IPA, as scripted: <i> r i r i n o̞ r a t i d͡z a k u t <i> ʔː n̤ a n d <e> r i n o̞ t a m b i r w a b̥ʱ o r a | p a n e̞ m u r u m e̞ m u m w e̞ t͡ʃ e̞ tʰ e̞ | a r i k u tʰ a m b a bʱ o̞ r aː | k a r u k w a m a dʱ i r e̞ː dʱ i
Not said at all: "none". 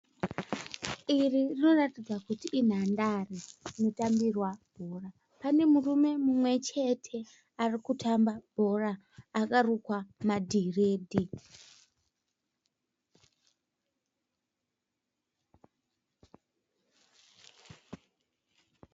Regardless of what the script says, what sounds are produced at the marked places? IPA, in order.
i, i, a

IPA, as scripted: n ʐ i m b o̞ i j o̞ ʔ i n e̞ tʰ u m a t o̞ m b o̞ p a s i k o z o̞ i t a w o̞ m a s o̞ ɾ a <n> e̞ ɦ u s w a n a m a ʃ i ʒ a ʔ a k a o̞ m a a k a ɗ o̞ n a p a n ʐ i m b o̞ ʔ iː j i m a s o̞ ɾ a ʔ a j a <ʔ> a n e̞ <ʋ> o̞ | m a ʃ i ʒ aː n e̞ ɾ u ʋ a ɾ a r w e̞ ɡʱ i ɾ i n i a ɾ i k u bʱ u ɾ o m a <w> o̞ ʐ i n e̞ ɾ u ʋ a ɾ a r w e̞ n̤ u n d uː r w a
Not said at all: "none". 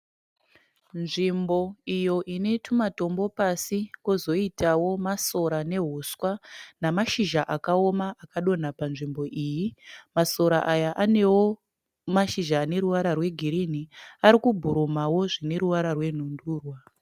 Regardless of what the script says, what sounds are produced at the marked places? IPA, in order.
n, ʔ, w, w

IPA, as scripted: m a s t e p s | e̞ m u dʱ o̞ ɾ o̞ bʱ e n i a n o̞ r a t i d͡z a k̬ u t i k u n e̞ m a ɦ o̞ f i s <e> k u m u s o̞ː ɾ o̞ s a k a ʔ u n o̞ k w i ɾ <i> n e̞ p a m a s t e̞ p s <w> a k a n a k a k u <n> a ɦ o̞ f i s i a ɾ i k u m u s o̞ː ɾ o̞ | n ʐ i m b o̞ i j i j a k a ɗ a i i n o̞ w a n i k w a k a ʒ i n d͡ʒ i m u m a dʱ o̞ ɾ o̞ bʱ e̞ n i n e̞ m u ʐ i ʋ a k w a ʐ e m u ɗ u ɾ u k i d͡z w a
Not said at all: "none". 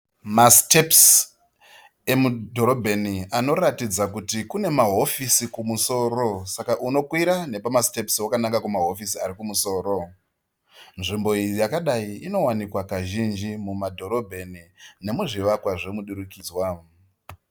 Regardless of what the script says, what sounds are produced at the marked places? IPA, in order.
i, a, w, m

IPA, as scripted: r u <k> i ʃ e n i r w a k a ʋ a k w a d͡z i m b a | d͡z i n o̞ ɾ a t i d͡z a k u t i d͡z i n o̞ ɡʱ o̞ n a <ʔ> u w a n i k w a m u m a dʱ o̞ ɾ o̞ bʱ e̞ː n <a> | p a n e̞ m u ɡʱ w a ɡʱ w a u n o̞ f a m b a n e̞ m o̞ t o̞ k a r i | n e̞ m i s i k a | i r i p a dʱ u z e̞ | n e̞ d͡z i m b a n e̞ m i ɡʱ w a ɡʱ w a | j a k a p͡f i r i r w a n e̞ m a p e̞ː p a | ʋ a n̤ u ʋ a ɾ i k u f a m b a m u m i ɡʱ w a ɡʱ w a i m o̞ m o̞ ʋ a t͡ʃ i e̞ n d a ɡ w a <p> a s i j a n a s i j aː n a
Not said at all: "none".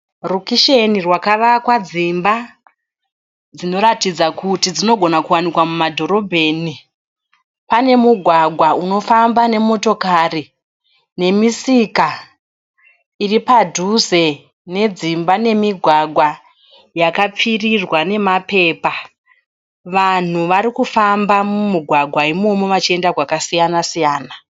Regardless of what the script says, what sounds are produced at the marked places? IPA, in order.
k, k, i, k

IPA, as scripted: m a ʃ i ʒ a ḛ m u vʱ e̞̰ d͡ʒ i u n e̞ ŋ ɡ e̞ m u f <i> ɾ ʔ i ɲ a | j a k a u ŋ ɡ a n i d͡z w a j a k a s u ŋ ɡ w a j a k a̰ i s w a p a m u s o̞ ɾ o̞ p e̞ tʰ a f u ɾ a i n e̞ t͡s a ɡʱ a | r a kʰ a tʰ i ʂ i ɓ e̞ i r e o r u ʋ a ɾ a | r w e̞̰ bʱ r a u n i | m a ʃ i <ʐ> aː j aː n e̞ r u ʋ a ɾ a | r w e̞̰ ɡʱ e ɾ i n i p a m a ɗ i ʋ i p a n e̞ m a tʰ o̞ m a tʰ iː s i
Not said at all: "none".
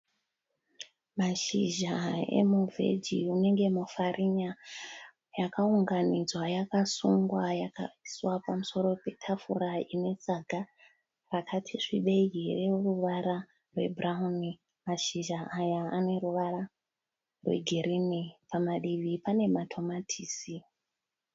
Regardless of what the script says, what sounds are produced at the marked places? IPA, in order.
a, ʒ

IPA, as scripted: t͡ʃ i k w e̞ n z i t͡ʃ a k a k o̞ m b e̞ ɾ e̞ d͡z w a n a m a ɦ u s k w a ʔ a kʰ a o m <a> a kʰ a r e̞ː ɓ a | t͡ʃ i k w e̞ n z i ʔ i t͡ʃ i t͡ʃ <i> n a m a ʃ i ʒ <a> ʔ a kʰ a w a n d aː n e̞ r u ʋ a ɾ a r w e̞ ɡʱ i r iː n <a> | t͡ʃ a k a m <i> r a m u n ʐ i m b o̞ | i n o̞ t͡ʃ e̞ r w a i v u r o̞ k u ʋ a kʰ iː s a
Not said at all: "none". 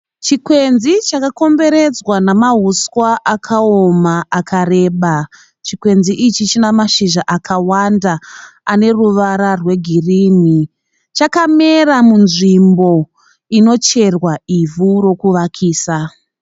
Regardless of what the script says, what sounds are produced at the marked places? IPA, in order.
a, i, a, i, e

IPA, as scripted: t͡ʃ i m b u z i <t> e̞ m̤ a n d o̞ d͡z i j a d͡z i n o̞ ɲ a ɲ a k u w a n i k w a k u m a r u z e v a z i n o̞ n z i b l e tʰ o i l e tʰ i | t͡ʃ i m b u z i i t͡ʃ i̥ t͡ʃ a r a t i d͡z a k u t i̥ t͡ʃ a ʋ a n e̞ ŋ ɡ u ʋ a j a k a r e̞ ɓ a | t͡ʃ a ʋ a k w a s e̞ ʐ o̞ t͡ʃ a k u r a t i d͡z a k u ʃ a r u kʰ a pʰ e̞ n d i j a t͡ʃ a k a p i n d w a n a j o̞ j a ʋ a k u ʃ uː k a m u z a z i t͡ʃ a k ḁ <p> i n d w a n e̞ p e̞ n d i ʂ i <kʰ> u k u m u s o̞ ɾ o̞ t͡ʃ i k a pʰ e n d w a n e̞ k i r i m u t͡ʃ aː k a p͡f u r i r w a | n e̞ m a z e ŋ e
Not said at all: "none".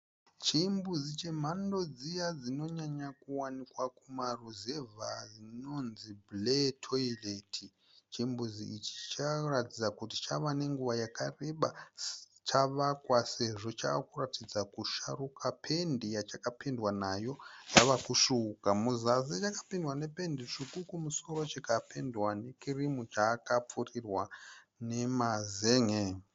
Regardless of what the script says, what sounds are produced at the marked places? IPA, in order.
t͡ʃ, p, k

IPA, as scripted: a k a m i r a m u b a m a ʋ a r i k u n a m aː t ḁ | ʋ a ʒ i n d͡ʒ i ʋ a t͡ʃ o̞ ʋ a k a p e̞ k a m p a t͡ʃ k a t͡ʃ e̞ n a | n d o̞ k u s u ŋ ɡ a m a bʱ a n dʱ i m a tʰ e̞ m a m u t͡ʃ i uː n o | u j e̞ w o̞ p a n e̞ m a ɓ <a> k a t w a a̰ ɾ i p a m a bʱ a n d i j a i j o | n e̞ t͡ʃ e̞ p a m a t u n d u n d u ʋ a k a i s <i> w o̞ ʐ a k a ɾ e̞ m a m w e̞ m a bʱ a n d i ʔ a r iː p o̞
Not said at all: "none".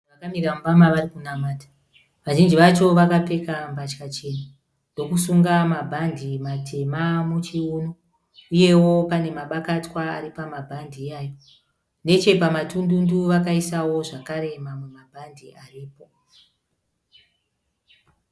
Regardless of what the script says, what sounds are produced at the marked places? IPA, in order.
a, a

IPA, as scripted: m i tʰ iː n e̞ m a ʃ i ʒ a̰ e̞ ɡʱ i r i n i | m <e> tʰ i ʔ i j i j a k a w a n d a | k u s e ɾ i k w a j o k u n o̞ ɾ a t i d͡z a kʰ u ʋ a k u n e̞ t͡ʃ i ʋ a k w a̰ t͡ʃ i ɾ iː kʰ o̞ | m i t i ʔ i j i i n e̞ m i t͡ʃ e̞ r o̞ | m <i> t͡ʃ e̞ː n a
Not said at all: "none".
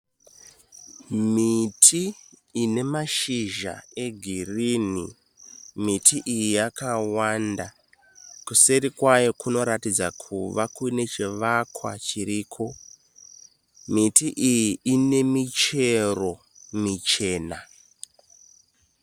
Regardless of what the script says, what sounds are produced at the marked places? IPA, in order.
i, i

